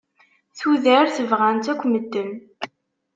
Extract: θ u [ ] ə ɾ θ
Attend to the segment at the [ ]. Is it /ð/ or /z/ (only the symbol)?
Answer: ð